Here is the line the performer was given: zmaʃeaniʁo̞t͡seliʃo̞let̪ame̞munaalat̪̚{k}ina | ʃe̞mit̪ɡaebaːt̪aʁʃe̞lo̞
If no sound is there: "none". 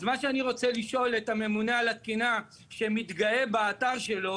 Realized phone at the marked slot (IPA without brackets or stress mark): k